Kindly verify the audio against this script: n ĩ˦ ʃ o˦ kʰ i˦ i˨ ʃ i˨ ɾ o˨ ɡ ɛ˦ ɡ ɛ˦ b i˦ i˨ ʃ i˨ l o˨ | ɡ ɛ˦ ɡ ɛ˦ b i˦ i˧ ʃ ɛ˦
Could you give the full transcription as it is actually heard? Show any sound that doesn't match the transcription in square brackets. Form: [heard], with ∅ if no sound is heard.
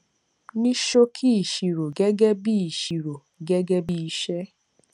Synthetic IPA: n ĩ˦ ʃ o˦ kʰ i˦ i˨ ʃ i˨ ɾ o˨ ɡ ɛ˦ ɡ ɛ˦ b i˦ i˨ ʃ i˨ [ɾ] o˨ | ɡ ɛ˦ ɡ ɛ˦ b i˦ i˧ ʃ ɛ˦